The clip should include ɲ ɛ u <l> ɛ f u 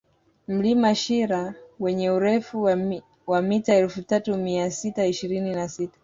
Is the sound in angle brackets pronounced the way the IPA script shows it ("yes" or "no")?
no